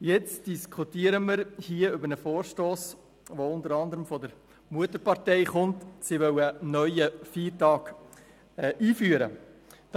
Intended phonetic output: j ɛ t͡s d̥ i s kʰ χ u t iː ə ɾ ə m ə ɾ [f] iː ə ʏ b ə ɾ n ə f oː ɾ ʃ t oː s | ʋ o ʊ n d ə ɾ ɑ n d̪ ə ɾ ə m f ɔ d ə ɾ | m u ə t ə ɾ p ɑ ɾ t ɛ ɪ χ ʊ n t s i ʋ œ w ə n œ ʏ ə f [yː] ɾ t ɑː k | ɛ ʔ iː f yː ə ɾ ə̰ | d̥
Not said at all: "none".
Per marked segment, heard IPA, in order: h, iː

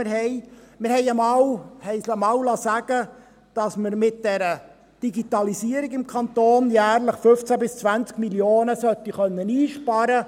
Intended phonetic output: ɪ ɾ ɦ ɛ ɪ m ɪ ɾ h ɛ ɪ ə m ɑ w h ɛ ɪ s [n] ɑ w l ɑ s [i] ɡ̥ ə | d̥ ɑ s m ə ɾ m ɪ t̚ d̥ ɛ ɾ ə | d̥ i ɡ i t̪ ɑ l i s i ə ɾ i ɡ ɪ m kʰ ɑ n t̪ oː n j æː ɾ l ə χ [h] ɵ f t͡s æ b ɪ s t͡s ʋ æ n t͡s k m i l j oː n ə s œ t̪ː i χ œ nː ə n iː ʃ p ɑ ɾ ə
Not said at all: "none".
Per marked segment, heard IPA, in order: m, æ, f

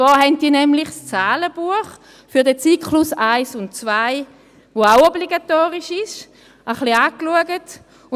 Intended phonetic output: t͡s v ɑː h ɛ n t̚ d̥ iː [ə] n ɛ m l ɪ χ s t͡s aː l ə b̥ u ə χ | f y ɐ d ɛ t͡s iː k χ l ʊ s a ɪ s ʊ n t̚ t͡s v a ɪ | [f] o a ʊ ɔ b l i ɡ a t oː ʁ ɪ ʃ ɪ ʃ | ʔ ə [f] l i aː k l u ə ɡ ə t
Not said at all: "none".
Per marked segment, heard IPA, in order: ɐ, v, χ

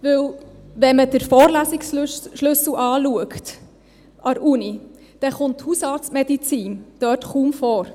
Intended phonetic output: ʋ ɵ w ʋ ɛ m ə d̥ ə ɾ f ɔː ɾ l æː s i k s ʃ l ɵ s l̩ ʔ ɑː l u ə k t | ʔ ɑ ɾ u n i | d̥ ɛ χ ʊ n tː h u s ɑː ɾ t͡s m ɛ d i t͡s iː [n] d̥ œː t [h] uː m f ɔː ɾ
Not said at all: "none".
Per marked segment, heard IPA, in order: n, χ

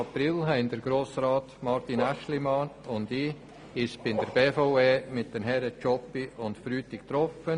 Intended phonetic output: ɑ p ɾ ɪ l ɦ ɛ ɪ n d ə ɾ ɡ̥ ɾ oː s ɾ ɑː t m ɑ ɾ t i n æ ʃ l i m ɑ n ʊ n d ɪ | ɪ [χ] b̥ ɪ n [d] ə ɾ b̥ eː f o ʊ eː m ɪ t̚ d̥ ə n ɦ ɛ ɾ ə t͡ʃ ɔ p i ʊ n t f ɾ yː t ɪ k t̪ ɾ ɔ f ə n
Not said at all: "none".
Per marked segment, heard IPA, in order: ʃ, d

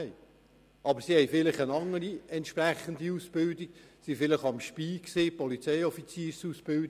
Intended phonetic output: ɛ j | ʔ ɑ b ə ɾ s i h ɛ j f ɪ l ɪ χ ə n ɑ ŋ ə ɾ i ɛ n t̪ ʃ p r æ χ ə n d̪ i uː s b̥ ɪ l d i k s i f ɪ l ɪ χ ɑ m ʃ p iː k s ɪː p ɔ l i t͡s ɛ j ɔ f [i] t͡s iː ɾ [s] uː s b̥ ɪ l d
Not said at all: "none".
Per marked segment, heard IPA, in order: i, s

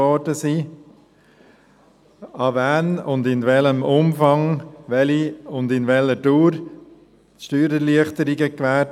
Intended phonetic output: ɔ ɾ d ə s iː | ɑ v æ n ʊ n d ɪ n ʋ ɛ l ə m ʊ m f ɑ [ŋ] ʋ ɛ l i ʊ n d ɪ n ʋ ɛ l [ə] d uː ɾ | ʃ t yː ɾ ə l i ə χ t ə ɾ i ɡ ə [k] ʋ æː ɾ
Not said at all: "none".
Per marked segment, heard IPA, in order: ŋ, ə, k

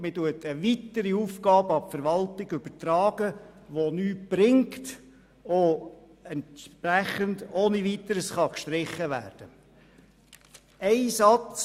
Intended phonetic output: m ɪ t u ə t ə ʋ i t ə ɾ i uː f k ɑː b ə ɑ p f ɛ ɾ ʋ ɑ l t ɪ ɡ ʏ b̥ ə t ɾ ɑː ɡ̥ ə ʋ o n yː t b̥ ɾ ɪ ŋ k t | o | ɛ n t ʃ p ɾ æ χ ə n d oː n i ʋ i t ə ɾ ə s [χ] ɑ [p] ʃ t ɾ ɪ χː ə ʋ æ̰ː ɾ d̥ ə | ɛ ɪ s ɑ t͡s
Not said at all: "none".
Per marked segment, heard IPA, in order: χ, k

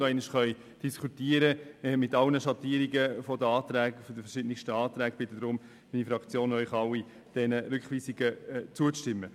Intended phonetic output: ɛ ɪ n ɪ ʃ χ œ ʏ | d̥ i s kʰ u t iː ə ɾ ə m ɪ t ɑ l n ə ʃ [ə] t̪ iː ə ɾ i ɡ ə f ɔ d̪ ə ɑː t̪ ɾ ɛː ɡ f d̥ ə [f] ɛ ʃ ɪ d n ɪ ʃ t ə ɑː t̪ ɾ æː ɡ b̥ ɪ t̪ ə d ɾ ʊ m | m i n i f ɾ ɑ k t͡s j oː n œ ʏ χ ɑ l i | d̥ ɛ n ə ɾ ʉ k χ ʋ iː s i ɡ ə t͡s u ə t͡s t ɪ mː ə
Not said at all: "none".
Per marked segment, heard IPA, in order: ɑ, f

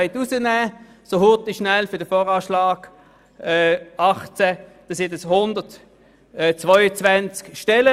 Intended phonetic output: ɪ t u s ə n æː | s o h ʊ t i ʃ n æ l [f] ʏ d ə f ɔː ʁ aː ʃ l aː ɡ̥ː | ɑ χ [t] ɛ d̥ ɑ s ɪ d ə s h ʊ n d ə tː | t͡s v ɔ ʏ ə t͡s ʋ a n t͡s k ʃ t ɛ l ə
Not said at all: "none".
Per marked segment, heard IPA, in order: f, t͡s

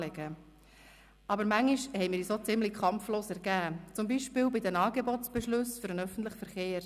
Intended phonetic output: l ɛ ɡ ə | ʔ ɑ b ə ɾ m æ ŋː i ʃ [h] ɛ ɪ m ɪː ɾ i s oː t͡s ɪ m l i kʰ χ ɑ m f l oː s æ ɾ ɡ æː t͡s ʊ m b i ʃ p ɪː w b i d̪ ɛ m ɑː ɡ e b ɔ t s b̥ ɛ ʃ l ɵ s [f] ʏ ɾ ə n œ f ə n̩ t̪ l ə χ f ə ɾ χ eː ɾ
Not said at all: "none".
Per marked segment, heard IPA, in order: h, f

